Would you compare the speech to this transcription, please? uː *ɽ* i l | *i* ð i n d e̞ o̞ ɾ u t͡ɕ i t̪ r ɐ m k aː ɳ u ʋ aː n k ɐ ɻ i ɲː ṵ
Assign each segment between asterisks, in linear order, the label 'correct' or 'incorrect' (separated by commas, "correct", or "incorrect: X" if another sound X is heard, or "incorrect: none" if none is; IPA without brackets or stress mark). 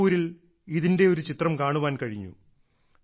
incorrect: ɾ, correct